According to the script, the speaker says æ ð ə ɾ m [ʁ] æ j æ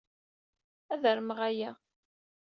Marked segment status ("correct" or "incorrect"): correct